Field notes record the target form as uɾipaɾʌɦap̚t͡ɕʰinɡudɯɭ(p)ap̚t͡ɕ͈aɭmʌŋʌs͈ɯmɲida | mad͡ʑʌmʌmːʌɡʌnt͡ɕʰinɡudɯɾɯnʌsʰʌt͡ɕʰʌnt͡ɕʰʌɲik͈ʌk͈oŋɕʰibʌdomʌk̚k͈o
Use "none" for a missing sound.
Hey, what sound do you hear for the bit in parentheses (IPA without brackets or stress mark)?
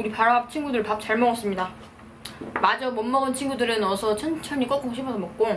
p